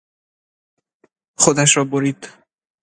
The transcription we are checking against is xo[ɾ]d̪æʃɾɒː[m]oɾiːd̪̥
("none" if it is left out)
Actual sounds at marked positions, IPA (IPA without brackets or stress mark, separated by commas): none, b